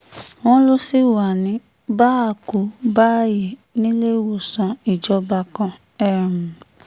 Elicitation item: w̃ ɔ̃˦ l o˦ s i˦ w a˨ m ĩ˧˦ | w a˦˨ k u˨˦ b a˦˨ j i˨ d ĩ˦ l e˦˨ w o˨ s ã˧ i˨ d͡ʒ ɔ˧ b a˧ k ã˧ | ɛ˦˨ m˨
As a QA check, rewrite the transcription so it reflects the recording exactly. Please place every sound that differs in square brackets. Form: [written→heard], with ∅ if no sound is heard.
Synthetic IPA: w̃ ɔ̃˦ l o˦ s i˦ w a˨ [m→n] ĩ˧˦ | [w→b] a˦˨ k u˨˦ b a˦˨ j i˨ [d→n] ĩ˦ l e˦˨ w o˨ s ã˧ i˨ d͡ʒ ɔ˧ b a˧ k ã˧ | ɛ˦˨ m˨